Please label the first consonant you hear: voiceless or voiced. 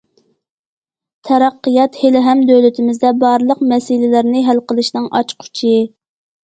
voiceless